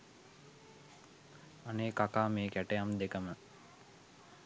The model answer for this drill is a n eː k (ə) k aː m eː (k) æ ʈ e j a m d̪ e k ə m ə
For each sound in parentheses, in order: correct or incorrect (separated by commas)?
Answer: incorrect, correct